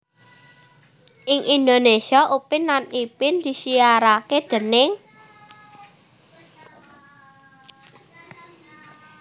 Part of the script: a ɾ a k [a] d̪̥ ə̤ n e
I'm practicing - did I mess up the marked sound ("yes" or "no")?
yes